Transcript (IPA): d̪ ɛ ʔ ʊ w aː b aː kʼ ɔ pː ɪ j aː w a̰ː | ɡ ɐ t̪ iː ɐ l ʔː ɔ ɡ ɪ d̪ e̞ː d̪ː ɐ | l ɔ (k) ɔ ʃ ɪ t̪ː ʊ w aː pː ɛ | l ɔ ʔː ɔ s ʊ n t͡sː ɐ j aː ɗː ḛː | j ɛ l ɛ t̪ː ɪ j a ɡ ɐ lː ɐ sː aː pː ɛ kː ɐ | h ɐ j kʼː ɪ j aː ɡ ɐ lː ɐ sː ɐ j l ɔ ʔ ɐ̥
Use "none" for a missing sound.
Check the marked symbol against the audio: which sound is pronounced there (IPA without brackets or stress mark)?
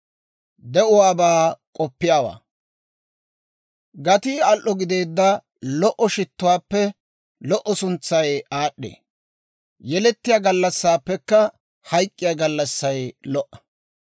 ʔ